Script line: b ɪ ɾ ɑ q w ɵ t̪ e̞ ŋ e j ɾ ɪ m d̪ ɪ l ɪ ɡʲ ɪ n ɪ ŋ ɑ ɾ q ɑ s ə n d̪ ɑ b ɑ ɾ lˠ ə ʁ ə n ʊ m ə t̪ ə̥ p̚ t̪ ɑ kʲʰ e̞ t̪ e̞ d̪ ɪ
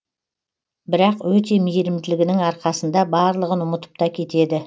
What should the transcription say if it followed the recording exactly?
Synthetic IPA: b ɪ ɾ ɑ q w ɵ t̪ e̞ m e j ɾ ɪ m d̪ ɪ l ɪ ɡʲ ɪ n ɪ ŋ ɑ ɾ q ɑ s ə n d̪ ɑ b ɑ ɾ lˠ ə ʁ ə n ʊ m ə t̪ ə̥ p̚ t̪ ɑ kʲʰ e̞ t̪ e̞ d̪ ɪ